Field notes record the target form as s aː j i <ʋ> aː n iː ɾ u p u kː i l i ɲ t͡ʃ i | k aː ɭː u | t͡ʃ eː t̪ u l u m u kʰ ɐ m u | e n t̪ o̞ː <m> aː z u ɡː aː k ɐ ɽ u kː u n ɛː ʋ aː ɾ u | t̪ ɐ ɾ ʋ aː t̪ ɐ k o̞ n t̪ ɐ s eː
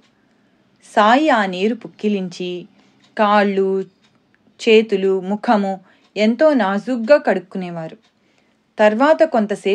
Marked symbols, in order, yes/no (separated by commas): no, no